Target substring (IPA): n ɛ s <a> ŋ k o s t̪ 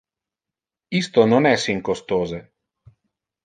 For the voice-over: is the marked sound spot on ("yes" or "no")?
no